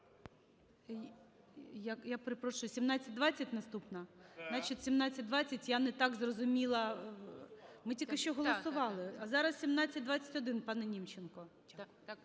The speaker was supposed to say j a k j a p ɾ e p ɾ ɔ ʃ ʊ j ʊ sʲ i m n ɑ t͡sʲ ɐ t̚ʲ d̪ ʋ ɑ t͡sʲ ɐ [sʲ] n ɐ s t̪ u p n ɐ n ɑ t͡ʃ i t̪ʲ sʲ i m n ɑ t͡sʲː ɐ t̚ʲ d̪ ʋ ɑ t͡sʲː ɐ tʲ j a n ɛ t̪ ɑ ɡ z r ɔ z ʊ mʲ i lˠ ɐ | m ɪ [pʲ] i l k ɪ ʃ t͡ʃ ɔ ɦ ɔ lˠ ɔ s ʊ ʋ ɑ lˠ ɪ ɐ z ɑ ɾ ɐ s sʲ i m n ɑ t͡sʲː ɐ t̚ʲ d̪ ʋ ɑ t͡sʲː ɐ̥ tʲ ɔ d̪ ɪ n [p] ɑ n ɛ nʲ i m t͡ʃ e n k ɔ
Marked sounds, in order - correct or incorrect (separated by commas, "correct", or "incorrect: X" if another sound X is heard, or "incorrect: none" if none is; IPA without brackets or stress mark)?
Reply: incorrect: tʲ, incorrect: tʲ, correct